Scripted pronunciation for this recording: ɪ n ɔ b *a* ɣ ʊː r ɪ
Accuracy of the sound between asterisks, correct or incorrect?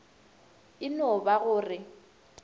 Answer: correct